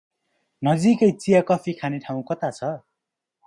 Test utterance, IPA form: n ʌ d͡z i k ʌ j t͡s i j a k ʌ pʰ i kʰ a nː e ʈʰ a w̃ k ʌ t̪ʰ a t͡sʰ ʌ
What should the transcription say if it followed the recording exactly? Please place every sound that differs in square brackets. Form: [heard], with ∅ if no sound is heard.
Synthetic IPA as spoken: n ʌ d͡z i k ʌ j t͡s i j a k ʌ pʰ i kʰ a [n] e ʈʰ a w̃ k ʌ [t̪] a t͡sʰ ʌ

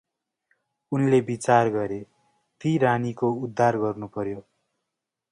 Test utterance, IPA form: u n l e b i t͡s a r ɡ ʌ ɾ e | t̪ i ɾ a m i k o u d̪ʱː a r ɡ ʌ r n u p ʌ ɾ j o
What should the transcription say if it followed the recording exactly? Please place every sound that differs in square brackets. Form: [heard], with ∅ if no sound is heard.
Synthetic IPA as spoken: u n l e b i t͡s a r ɡ ʌ ɾ e | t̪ i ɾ a [n] i k o u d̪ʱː a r ɡ ʌ r n u p ʌ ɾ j o

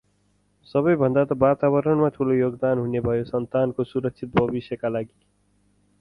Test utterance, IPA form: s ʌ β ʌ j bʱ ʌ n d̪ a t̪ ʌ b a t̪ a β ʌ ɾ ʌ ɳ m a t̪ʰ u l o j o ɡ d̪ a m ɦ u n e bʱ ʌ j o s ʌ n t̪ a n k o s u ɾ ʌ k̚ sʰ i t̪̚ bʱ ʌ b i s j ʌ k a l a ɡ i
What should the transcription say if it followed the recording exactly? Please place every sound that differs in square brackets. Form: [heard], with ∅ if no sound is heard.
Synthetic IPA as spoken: s ʌ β ʌ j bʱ ʌ n d̪ a t̪ ʌ b a t̪ a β ʌ ɾ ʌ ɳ m a t̪ʰ u l o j o ɡ d̪ a [n] ɦ u n e bʱ ʌ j o s ʌ n t̪ a n k o s u ɾ ʌ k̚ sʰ i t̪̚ bʱ ʌ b i s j ʌ k a l a ɡ i

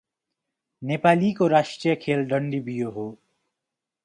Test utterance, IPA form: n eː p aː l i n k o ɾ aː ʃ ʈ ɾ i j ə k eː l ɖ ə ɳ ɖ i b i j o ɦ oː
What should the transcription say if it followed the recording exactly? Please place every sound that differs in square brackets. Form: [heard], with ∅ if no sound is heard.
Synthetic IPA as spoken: n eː p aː l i [∅] k o ɾ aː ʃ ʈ ɾ i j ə [kʰ] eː l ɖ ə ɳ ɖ i b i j o ɦ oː

